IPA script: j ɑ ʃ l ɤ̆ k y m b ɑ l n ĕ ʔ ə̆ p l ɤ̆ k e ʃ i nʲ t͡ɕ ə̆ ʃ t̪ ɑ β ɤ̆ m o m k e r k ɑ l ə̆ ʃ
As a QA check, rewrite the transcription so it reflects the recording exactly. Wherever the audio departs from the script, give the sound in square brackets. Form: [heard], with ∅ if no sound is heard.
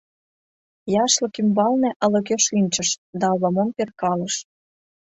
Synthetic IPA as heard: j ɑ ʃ l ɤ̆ k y m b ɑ l n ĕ ʔ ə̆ [∅] l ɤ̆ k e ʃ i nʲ t͡ɕ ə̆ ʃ [d̪] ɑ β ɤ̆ m o m [p] e r k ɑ l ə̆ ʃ